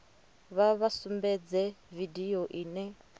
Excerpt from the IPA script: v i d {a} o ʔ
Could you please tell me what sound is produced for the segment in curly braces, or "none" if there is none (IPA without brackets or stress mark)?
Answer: i